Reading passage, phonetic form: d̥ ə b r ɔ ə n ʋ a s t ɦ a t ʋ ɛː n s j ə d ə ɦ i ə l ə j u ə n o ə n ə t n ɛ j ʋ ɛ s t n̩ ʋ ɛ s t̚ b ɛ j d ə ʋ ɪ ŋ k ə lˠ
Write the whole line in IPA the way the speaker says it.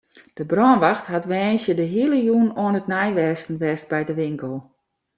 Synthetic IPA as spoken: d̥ ə b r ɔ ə n ʋ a x t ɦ a t ʋ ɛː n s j ə d ə ɦ i ə l ə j u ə n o ə n ə t n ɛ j ʋ ɛ s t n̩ ʋ ɛ s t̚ b ɛ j d ə ʋ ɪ ŋ k ə lˠ